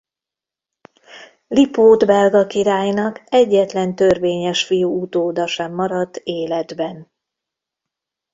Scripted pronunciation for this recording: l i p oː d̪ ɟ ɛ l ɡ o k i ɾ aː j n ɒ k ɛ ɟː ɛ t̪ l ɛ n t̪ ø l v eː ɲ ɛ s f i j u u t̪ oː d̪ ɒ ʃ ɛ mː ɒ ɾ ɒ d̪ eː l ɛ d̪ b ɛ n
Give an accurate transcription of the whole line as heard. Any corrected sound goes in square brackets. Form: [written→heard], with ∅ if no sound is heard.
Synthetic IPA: l i p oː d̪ [ɟ→b] ɛ l ɡ [o→ɒ] k i ɾ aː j n ɒ k ɛ ɟː ɛ t̪ l ɛ n t̪ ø [l→r] v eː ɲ ɛ [s→ʃ] f i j u u t̪ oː d̪ ɒ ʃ ɛ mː ɒ ɾ ɒ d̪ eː l ɛ d̪ b ɛ n